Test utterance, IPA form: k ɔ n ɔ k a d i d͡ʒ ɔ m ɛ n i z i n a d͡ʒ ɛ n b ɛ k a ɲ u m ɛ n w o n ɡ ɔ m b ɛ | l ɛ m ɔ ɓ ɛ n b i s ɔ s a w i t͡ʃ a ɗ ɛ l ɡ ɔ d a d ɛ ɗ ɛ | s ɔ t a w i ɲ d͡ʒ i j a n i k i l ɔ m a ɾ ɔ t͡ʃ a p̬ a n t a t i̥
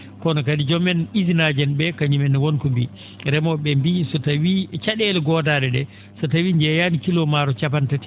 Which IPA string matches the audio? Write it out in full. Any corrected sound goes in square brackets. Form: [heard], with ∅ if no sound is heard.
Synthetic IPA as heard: k ɔ n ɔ k a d i d͡ʒ ɔ m ɛ n i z i n a d͡ʒ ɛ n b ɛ k a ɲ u m ɛ n w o n [k] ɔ m b [i] | [ɾ] ɛ m ɔ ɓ ɛ [m] b i s ɔ [t] a w i t͡ʃ a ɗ ɛ l ɡ ɔ d a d ɛ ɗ ɛ | s ɔ t a w i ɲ d͡ʒ [ɛ] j a n i k i l ɔ m a ɾ ɔ t͡ʃ a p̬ a n t a t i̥